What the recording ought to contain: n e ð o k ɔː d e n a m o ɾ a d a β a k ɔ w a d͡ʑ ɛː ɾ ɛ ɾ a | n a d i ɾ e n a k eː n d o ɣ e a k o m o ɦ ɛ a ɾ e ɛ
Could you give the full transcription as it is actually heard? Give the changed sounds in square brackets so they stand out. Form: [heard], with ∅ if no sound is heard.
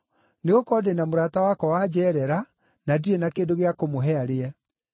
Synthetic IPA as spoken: n e [ɣ] o k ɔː d e n a m o ɾ a [t] a [w] a k ɔ w a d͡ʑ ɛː ɾ ɛ ɾ a | n a d i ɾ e n a k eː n d o ɣ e a k o m o ɦ ɛ a ɾ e ɛ